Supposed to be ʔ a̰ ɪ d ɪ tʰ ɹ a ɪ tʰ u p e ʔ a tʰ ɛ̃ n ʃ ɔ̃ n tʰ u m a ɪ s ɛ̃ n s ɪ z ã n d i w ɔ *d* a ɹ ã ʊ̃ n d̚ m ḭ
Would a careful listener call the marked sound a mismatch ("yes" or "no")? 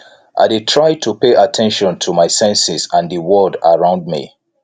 no